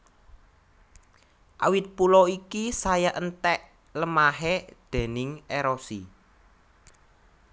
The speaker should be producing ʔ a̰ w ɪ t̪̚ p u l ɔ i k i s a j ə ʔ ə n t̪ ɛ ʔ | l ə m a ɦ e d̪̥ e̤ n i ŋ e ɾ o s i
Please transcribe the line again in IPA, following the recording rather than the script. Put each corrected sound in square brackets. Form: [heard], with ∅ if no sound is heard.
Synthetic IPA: ʔ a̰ w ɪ t̪̚ p u l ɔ i k i s a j [a] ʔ ə n t̪ ɛ ʔ | l ə m a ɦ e d̪̥ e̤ n [ɪ] ŋ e ɾ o s i

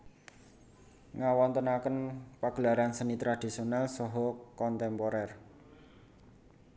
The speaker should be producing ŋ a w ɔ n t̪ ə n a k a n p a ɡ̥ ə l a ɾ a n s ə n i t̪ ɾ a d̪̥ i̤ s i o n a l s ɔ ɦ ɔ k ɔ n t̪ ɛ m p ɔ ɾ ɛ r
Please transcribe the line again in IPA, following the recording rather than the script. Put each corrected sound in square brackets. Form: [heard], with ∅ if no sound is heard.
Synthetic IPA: ŋ a w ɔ n t̪ ə n a k [ə] n p a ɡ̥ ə l a ɾ a n s ə n i t̪ ɾ a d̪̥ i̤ s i o n a l s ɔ ɦ ɔ k ɔ n t̪ ɛ m p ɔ ɾ ɛ r

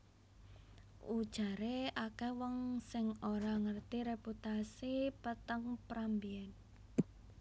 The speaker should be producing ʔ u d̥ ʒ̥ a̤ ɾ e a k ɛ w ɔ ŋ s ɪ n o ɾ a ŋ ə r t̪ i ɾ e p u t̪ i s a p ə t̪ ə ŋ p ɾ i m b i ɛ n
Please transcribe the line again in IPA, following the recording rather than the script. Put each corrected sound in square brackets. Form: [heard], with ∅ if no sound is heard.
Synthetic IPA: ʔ u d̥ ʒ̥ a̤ ɾ e a k ɛ w ɔ ŋ s ɪ [ŋ] o ɾ a ŋ ə r t̪ i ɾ e p u t̪ [a] s [i] p ə t̪ ə ŋ p ɾ [a] m b i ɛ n

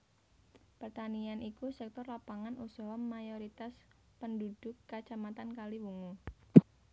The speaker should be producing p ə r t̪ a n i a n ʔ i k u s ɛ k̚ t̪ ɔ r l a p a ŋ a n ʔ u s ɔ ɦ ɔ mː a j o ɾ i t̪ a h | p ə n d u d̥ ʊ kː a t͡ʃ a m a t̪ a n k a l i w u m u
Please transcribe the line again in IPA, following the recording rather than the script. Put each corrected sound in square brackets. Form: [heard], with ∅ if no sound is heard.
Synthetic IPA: p ə r t̪ a n i a n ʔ i k u s ɛ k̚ t̪ ɔ r l a p a ŋ a n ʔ u s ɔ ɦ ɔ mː a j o ɾ i t̪ a [s] | p ə n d u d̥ ʊ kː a t͡ʃ a m a t̪ a n k a l i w u [ŋ] u

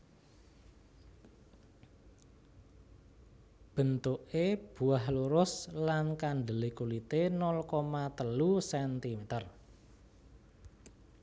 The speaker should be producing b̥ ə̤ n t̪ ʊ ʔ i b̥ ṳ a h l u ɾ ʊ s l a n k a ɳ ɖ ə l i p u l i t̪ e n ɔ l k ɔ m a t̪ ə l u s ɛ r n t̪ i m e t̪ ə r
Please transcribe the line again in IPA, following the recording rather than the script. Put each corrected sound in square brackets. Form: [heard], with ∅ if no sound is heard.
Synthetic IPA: b̥ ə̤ n t̪ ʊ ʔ [e] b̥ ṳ a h l u ɾ ʊ s l a n k a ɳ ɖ ə l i [k] u l i t̪ e n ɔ l k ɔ m a t̪ ə l u s ɛ [∅] n t̪ i m e t̪ ə r

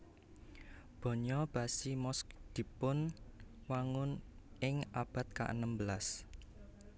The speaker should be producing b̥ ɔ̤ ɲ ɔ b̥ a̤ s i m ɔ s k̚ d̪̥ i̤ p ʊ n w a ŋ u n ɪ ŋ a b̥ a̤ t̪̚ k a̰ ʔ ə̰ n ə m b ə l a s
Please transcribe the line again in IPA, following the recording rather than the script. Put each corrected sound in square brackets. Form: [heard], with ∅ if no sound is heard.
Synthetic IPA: b̥ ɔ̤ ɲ ɔ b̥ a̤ s i m ɔ s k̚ d̪̥ i̤ p ʊ n w a ŋ [ʊ] n ɪ ŋ a b̥ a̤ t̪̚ k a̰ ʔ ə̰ n ə m b ə l a s

